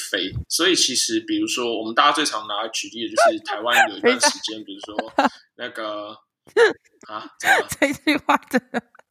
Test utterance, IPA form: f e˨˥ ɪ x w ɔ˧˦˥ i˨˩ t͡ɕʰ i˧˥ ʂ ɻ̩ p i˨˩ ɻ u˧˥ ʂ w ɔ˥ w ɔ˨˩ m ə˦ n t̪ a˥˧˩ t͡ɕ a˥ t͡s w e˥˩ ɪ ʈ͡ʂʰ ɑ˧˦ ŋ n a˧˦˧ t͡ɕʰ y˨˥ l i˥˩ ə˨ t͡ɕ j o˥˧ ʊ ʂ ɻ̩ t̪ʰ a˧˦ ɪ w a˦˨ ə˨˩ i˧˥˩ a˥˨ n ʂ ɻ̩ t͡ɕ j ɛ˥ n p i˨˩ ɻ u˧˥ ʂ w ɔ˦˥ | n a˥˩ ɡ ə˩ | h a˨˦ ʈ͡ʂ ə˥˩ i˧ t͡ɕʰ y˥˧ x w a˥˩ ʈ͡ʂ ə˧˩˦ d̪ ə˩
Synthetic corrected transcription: f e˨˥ ɪ s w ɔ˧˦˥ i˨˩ t͡ɕʰ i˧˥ ʂ ɻ̩ p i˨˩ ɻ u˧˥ ʂ w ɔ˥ w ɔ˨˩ m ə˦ n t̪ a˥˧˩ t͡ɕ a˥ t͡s w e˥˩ ɪ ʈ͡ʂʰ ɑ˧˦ ŋ n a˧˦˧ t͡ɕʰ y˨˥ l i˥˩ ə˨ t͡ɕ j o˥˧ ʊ ʂ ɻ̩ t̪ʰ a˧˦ ɪ w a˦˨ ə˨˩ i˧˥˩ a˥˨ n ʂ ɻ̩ t͡ɕ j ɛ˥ n p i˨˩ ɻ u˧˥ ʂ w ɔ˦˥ | n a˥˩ ɡ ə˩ | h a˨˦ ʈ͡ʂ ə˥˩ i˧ t͡ɕ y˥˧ x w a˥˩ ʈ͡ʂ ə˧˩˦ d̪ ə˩